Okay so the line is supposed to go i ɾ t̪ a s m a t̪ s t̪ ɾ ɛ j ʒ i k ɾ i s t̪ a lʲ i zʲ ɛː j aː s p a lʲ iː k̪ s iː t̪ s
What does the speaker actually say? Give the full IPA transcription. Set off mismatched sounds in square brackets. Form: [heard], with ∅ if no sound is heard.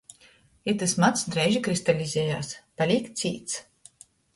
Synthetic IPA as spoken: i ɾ t̪ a s m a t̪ s [d̪] ɾ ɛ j ʒ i k ɾ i s t̪ a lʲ i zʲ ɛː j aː s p a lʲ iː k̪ s iː t̪ s